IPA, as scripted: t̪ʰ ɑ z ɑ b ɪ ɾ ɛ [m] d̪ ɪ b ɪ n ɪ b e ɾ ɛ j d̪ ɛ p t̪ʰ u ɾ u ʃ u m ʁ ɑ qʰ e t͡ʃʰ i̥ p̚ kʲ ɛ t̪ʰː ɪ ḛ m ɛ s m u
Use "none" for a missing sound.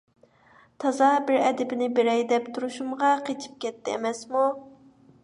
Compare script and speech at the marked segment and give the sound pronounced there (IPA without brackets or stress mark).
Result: none